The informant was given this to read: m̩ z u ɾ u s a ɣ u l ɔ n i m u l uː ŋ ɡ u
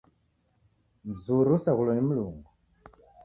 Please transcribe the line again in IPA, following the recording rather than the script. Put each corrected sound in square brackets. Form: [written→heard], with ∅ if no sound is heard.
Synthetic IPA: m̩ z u ɾ u s a ɣ u l ɔ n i m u l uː ŋ ɡ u